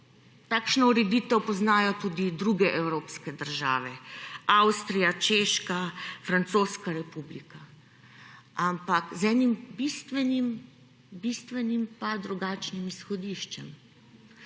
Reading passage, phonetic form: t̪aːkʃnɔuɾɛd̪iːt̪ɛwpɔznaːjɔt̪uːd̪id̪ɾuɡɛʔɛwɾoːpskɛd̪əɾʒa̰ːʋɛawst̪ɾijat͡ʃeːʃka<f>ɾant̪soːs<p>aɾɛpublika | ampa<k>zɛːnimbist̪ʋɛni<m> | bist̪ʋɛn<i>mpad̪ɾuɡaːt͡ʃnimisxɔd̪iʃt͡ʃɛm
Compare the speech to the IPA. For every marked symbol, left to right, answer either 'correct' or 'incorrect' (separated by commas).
correct, incorrect, correct, correct, correct